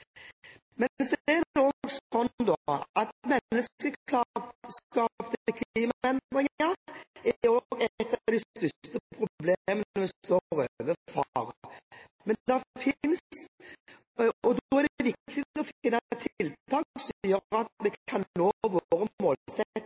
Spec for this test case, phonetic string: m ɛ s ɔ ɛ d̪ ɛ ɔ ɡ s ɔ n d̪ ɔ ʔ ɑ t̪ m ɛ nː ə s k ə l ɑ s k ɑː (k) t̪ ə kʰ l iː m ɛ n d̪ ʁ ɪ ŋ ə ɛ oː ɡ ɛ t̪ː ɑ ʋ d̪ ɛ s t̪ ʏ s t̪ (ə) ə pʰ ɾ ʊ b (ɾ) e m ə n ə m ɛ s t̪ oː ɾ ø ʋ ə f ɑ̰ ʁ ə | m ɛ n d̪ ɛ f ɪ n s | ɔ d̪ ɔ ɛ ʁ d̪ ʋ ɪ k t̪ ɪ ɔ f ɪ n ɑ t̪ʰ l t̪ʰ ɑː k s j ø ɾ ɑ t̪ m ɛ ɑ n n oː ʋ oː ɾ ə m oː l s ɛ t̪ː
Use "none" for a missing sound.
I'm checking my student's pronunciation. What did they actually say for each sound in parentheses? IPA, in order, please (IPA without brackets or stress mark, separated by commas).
p, ə, l